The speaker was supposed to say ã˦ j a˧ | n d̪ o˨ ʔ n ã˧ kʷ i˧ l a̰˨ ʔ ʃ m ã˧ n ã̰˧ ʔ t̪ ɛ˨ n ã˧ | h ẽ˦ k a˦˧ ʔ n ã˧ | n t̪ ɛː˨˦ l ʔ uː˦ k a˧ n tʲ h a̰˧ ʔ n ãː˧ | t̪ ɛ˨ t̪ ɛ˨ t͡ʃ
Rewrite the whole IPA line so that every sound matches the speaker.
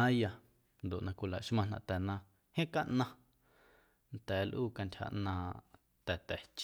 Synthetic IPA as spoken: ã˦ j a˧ | n d̪ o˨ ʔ n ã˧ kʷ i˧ l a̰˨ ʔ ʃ m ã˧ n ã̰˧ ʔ t̪ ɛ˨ n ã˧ | h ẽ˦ k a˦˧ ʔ n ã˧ | n t̪ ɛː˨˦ l ʔ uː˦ k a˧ n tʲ h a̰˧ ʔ n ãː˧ | t̪ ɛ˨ t̪ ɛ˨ t͡ʃ